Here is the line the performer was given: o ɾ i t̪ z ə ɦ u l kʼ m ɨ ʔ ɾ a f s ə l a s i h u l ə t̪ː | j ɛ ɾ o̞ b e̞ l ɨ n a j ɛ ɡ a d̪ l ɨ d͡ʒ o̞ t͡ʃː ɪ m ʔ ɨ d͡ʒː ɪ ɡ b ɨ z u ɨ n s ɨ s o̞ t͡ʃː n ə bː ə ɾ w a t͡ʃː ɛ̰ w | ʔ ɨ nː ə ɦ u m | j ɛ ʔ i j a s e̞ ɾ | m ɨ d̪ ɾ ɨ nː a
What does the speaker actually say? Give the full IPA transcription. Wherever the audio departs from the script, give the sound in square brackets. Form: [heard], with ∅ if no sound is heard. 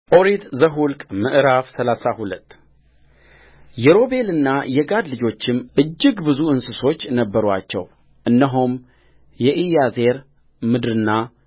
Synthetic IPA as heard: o ɾ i t̪ z ə ɦ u l kʼ m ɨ ʔ ɾ a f s ə l a s [a] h u l ə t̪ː | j ɛ ɾ o̞ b e̞ l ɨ [nː] a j ɛ ɡ a d̪ l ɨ d͡ʒ o̞ t͡ʃː ɪ m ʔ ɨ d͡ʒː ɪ ɡ b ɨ z u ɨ n s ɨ s o̞ t͡ʃː n ə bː ə ɾ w a t͡ʃː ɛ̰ w | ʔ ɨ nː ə ɦ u m | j ɛ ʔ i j a [z] e̞ ɾ | m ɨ d̪ ɾ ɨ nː a